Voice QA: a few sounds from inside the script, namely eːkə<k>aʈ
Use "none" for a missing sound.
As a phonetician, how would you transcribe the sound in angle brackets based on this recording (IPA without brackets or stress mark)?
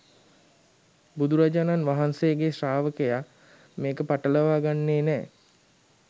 p